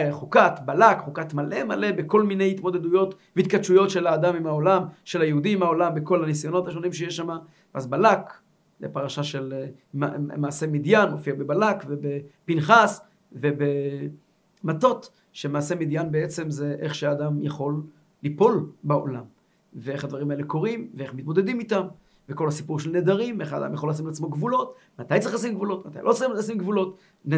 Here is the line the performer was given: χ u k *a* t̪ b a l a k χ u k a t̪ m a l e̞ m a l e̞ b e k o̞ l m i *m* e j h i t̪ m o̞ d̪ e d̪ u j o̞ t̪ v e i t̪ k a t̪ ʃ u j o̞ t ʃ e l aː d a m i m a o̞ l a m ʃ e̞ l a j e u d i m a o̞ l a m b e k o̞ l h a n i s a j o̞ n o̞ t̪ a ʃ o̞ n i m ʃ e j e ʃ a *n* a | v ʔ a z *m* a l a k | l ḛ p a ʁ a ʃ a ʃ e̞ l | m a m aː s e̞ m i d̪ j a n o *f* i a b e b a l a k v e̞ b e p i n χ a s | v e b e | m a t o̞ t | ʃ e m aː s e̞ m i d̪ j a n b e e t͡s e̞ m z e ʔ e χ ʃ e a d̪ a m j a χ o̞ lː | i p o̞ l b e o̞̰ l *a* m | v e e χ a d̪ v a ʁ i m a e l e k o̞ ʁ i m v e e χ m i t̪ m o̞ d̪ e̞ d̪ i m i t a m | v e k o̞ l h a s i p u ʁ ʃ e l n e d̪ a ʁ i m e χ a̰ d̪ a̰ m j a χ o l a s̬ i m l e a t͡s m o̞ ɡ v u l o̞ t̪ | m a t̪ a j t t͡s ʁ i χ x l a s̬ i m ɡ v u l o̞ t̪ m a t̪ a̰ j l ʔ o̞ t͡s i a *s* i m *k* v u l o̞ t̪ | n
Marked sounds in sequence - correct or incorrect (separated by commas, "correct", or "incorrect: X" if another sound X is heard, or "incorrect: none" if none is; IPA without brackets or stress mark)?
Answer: correct, incorrect: n, incorrect: m, incorrect: b, correct, correct, correct, incorrect: ɡ